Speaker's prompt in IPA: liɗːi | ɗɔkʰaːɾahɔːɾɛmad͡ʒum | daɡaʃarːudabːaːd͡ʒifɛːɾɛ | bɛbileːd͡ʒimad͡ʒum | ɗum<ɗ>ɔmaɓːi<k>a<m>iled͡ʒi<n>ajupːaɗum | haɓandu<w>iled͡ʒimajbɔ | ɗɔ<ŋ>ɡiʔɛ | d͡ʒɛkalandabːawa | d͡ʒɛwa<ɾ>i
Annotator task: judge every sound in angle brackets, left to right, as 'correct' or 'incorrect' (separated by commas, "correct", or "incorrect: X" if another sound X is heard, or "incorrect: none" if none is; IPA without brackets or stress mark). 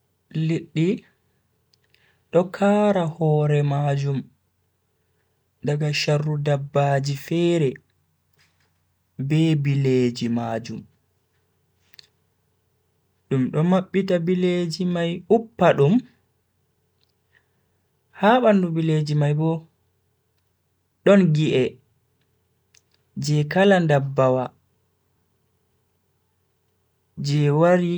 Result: correct, incorrect: t, incorrect: b, incorrect: m, incorrect: b, incorrect: n, correct